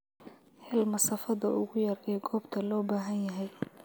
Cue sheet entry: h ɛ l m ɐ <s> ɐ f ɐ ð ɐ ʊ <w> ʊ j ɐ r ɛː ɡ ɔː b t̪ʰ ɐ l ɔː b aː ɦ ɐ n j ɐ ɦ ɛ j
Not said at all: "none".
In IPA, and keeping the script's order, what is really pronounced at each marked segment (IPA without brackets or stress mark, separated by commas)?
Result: s, ɣ